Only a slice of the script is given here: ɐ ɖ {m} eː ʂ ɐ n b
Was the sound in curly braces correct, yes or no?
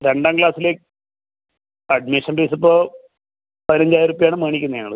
yes